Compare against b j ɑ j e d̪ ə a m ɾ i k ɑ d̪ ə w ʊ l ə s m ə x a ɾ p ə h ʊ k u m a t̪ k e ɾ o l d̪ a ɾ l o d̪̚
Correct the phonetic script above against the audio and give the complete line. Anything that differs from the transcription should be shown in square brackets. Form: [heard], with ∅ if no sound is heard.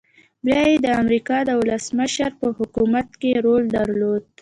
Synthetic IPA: b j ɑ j e d̪ ə a m ɾ i k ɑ d̪ ə w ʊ l ə s m ə [ʃ] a ɾ p ə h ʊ k u m a t̪ k e ɾ o l d̪ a ɾ l o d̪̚